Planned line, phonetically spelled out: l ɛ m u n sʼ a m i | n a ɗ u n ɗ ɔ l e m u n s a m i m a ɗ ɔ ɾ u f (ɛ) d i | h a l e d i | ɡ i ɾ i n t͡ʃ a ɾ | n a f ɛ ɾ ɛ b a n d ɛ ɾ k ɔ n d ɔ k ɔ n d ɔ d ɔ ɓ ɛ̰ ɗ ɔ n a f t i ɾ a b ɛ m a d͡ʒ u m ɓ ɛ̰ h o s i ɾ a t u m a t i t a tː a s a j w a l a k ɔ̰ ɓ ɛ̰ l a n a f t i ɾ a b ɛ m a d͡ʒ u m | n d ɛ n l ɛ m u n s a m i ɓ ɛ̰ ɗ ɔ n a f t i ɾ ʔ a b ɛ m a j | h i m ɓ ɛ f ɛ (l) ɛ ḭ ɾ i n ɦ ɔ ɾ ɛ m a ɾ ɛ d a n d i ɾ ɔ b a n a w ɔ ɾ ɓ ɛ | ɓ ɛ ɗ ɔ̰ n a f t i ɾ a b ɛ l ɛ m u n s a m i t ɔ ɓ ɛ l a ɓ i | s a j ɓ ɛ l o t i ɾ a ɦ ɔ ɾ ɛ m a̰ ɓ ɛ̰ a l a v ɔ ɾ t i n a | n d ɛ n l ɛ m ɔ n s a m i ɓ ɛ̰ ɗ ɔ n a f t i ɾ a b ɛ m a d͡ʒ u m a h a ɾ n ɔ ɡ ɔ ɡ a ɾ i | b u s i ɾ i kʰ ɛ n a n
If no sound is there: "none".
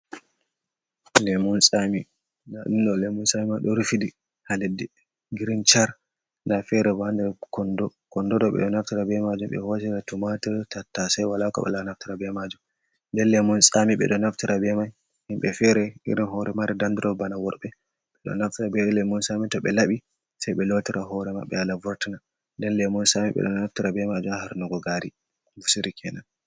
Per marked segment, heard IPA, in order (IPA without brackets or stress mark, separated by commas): i, ɾ